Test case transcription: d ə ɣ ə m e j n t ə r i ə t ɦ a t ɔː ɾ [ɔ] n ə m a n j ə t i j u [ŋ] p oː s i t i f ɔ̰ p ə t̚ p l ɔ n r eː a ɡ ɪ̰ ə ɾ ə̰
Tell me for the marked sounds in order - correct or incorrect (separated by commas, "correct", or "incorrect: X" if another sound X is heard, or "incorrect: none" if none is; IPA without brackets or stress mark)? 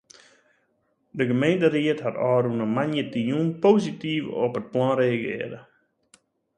incorrect: u, incorrect: n